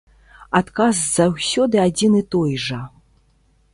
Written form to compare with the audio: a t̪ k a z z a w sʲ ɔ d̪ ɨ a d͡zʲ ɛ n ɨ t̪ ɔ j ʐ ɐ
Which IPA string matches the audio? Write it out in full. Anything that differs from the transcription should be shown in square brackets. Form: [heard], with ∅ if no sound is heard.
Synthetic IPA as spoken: a t̪ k a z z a w sʲ ɔ d̪ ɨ a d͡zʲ [i] n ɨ t̪ ɔ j ʐ ɐ